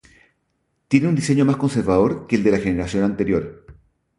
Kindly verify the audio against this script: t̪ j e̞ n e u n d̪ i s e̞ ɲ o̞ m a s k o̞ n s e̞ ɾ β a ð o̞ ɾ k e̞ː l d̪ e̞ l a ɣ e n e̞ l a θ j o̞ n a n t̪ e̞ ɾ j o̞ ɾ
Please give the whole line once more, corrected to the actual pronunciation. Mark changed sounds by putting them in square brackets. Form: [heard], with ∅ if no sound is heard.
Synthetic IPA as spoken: t̪ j e̞ n e u n d̪ i s e̞ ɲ o̞ m a s k o̞ n s e̞ ɾ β a ð o̞ ɾ k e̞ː l d̪ e̞ l a [x] e n e̞ [ɾ] a [s] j o̞ n a n t̪ e̞ ɾ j o̞ ɾ

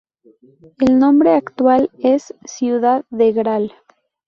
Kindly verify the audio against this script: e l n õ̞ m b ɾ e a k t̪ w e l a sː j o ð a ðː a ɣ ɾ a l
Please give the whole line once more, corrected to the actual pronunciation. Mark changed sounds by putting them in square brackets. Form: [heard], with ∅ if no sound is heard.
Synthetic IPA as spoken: e l n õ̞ m b ɾ e a k t̪ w [a] l [e] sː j [u] ð a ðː [e] ɣ ɾ a l

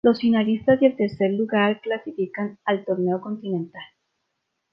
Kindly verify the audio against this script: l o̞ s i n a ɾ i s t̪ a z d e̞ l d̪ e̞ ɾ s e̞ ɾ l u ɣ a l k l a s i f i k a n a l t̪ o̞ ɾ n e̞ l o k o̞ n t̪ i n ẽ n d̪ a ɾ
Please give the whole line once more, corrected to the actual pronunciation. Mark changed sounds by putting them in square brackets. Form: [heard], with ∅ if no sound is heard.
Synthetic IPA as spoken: l o̞ s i n a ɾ i s t̪ a z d e̞ l [t̪] e̞ ɾ s e̞ ɾ l u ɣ a [ɾ] k l a s i f i k a n a l t̪ o̞ ɾ n e̞ [∅] o k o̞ n t̪ i n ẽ n [t̪] a [l]

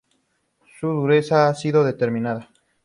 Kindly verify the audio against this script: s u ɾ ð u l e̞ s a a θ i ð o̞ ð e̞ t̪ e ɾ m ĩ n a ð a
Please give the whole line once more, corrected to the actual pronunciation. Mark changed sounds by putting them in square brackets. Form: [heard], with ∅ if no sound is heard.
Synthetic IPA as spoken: s u [∅] ð u [ɾ] e̞ s a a [s] i ð o̞ ð e̞ t̪ e ɾ m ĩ n a ð a

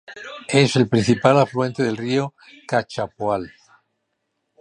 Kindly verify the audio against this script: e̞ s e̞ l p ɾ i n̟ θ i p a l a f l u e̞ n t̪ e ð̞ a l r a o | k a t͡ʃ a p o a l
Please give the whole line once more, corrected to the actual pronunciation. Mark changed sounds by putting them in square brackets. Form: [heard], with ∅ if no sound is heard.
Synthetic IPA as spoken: e̞ s e̞ l p ɾ i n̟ θ i p a l a f l u e̞ n t̪ e ð̞ [e] l r [i] o | k a t͡ʃ a p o a l

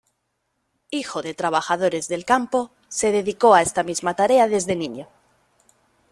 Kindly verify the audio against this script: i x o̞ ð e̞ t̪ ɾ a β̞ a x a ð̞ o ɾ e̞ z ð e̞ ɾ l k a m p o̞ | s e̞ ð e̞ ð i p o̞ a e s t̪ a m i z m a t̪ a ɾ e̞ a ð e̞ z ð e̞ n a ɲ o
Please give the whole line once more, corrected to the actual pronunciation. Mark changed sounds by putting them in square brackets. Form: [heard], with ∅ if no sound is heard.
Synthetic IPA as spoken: i x o̞ ð e̞ t̪ ɾ a β̞ a x a ð̞ o ɾ e̞ z ð e̞ [∅] l k a m p o̞ | s e̞ ð e̞ ð i [k] o̞ a e s t̪ a m i z m a t̪ a ɾ e̞ a ð e̞ z ð e̞ n [i] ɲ o

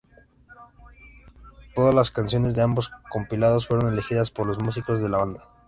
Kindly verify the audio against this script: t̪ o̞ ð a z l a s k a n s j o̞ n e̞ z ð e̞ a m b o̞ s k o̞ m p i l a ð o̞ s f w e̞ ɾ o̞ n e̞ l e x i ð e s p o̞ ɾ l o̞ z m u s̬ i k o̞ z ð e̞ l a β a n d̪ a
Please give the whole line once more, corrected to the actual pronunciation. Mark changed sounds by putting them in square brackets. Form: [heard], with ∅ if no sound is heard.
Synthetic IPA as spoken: t̪ o̞ ð a z l a s k a n s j o̞ n e̞ z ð e̞ a m b o̞ s k o̞ m p i l a ð o̞ s f w e̞ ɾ o̞ n e̞ l e x i ð [a] s p o̞ ɾ l o̞ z m u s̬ i k o̞ z ð e̞ l a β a n d̪ a

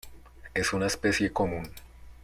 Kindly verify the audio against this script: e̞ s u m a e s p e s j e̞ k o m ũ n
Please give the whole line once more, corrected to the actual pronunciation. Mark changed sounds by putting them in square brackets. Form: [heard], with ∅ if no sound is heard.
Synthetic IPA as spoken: e̞ s u [n] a e s p e s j e̞ k o m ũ n

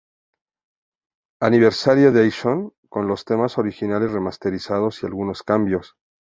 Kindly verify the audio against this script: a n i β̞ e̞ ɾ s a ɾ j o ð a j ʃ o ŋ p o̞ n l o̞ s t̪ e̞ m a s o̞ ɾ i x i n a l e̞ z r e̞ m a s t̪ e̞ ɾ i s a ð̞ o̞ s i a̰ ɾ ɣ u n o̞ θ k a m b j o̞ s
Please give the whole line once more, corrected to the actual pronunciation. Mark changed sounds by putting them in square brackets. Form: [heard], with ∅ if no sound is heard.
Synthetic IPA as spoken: a n i β̞ e̞ ɾ s a ɾ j o ð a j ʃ o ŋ [k] o̞ n l o̞ s t̪ e̞ m a s o̞ ɾ i x i n a l e̞ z r e̞ m a s t̪ e̞ ɾ i s a ð̞ o̞ s i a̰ [l] ɣ u n o̞ [s] k a m b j o̞ s

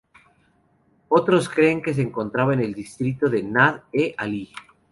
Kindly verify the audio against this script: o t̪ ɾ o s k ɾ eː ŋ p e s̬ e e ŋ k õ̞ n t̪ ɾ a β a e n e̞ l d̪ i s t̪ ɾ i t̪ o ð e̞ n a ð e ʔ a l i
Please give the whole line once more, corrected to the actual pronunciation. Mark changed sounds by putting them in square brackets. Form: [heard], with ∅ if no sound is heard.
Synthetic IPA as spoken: o t̪ ɾ o s k ɾ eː ŋ [k] e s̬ e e ŋ k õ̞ n t̪ ɾ a β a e n e̞ l d̪ i s t̪ ɾ i t̪ o ð e̞ n a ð e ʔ a l i

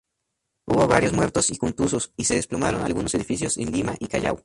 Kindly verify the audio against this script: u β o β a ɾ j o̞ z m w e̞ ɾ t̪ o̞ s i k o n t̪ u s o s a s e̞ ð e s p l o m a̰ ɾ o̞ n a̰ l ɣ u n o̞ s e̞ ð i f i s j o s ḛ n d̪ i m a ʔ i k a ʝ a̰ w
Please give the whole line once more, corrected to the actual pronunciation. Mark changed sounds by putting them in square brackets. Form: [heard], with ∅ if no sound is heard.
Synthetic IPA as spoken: u β o β a ɾ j o̞ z m w e̞ ɾ t̪ o̞ s i k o n t̪ u s o s [i] s e̞ ð e s p l o m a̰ ɾ o̞ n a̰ l ɣ u n o̞ s e̞ ð i f i s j o s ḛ n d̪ i m a ʔ i k a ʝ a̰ w

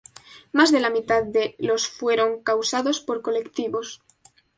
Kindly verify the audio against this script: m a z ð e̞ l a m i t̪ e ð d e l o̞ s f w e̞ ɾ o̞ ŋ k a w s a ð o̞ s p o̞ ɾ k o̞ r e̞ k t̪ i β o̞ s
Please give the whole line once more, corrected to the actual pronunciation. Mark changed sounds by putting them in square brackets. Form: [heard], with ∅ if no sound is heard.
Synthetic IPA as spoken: m a z ð e̞ l a m i t̪ [a] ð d e l o̞ s f w e̞ ɾ o̞ ŋ k a w s a ð o̞ s p o̞ ɾ k o̞ [l] e̞ k t̪ i β o̞ s

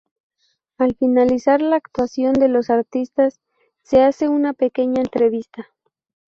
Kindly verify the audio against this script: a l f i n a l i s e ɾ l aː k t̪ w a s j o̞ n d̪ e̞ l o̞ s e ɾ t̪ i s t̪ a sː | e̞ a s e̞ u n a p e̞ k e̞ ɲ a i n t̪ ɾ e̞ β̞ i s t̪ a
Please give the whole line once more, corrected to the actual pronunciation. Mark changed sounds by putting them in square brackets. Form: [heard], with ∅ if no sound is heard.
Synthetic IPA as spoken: a l f i n a l i s [a] ɾ l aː k t̪ w a s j o̞ n d̪ e̞ l o̞ s [a] ɾ t̪ i s t̪ a sː | e̞ a s e̞ u n a p e̞ k e̞ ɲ a [e] n t̪ ɾ e̞ β̞ i s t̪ a

